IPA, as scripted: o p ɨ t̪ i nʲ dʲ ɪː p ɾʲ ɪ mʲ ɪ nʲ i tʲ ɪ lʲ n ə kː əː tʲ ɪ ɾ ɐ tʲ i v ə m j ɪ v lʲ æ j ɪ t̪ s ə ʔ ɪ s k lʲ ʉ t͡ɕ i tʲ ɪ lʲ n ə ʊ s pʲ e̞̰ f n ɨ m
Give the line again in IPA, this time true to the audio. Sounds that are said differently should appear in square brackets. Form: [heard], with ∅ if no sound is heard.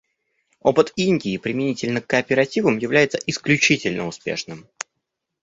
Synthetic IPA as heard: o p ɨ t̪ i nʲ dʲ ɪː p ɾʲ ɪ mʲ ɪ nʲ i tʲ ɪ lʲ n ə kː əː [pʲ] ɪ ɾ ɐ tʲ i v ə m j ɪ v lʲ æ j ɪ t̪ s ə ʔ ɪ s k lʲ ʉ t͡ɕ i tʲ ɪ lʲ n ə ʊ s pʲ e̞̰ [ʂ] n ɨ m